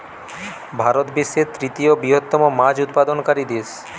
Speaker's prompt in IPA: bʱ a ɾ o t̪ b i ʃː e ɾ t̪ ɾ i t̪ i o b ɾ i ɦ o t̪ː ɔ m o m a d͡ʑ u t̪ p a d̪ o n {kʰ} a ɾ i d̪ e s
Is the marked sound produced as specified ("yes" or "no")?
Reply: no